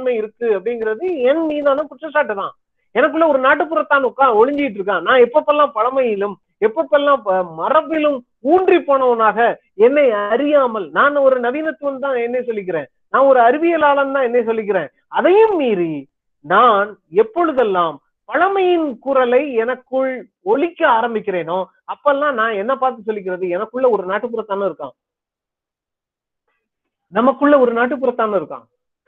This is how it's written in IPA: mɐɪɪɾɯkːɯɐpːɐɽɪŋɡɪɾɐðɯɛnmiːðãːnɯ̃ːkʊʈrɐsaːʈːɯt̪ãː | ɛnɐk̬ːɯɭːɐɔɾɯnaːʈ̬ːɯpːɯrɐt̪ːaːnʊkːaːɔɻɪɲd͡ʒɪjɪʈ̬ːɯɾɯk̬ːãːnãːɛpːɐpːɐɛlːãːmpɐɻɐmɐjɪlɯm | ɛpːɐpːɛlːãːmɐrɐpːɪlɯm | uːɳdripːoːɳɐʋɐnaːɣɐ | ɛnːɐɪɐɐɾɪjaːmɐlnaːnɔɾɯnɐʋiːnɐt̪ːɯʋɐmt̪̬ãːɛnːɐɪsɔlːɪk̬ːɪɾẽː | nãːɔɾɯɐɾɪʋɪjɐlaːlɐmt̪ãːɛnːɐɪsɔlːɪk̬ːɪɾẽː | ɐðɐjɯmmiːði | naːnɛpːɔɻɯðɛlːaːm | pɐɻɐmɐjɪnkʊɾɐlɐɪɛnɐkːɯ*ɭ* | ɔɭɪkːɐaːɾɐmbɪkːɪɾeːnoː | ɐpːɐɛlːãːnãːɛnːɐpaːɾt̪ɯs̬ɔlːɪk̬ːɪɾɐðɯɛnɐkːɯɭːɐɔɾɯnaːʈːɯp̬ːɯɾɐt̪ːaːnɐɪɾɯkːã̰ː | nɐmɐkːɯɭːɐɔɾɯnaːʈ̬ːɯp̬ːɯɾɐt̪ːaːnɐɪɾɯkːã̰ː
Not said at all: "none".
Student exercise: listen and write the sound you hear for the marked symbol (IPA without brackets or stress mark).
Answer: ɭ